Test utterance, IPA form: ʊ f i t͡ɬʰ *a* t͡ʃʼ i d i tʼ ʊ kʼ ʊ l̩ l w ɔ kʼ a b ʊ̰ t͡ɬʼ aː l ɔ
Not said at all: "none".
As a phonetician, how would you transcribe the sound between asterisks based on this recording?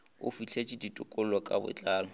e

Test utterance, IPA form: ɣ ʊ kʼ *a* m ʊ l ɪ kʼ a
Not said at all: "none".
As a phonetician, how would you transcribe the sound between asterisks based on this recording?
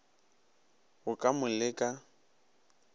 a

